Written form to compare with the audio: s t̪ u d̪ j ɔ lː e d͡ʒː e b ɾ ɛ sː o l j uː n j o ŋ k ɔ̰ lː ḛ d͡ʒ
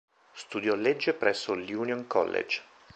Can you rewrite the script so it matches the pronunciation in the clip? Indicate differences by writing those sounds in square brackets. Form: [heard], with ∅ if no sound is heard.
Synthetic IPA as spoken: s t̪ u d̪ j ɔ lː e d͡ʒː e [p] ɾ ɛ sː o l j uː n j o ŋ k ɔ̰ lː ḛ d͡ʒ